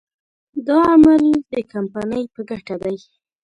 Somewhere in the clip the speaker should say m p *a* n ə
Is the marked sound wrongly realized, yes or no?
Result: no